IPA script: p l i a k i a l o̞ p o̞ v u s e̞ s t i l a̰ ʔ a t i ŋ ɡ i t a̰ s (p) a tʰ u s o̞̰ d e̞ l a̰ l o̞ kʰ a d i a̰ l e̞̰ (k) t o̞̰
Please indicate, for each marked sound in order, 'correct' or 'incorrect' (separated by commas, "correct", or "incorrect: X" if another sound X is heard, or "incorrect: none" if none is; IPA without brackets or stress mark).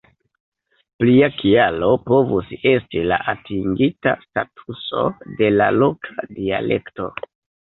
incorrect: t, correct